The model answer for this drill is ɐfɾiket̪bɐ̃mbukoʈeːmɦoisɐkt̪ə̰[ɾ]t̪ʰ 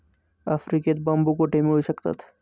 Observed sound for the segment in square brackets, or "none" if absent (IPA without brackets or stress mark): none